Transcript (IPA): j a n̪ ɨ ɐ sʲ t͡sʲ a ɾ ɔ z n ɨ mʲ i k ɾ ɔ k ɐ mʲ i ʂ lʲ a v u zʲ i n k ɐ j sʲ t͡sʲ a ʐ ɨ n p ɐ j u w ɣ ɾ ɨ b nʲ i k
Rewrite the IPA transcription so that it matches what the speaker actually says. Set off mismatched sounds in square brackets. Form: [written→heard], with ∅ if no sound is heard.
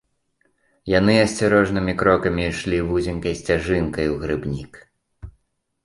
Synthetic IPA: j a n̪ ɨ ɐ sʲ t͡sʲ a ɾ ɔ [z→ʐ] n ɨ mʲ i k ɾ ɔ k ɐ mʲ i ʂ lʲ [a→i] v u zʲ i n k ɐ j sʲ t͡sʲ a ʐ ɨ n [p→k] ɐ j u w ɣ ɾ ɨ b nʲ i k